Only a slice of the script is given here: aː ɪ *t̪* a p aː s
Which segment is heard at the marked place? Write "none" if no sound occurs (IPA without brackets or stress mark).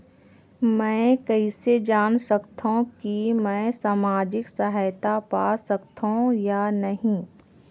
t̪